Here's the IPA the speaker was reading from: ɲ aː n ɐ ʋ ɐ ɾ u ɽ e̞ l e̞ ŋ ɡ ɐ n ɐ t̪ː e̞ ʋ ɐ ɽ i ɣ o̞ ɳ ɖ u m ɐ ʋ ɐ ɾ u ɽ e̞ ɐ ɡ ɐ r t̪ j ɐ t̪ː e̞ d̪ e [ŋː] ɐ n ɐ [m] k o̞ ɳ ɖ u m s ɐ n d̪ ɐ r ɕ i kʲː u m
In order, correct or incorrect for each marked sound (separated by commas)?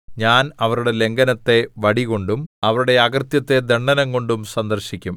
incorrect, incorrect